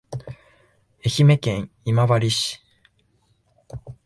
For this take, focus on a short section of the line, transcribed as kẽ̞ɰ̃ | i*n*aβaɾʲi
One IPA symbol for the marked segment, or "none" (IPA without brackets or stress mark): m